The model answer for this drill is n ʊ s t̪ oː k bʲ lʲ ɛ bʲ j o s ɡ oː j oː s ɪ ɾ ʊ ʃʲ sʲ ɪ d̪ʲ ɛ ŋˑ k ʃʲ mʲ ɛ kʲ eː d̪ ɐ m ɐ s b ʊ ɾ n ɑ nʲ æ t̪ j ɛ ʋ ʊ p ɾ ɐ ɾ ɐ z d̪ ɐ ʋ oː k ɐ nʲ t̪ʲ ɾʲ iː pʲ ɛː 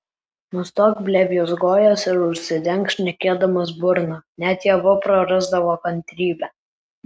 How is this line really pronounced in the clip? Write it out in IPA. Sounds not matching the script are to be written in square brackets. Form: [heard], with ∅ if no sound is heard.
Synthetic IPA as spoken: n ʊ s t̪ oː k bʲ lʲ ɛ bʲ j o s ɡ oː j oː s ɪ ɾ ʊ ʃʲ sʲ ɪ d̪ʲ ɛ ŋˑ k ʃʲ [nʲ] ɛ kʲ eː d̪ ɐ m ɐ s b ʊ ɾ n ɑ nʲ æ t̪ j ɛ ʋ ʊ p ɾ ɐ ɾ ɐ z d̪ ɐ ʋ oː k ɐ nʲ t̪ʲ ɾʲ iː [bʲ] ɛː